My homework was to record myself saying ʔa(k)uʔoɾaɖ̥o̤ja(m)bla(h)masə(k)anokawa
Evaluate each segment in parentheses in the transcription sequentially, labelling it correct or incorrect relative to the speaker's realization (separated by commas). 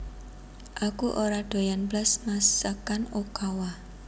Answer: correct, incorrect, incorrect, correct